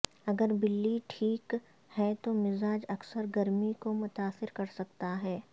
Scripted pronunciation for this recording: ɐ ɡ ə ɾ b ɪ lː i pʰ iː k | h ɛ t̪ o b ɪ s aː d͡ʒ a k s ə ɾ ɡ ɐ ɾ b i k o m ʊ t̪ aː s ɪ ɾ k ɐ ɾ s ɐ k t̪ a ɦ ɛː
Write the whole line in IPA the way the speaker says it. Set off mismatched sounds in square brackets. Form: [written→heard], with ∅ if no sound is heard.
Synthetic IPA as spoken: ɐ ɡ ə ɾ b ɪ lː i [pʰ→ʈʰ] iː k | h ɛ t̪ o [b→m] ɪ [s→z] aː d͡ʒ [a→ɐ] k s ə ɾ ɡ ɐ ɾ [b→m] i k o m ʊ t̪ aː s ɪ ɾ k ɐ ɾ s ɐ k t̪ a ɦ ɛː